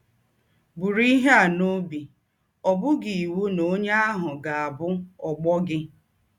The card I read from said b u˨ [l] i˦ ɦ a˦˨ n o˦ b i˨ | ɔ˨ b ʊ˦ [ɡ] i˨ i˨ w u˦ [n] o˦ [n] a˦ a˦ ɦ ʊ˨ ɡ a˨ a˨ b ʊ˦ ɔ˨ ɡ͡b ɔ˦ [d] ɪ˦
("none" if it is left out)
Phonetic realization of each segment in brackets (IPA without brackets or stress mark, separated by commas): ɾ, ɡ, n, ɲ, ɡ